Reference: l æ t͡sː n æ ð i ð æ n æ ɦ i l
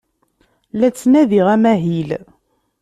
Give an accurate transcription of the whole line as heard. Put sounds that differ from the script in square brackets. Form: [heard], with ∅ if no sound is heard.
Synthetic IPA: l æ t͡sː n æ ð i [ʁ] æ [m] æ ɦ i l